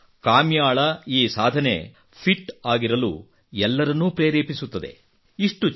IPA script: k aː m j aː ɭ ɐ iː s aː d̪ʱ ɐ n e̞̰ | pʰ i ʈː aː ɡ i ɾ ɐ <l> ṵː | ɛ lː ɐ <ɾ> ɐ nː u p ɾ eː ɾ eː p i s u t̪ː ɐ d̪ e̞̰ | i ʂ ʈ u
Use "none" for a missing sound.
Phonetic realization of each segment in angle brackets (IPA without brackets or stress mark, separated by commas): l, ɾ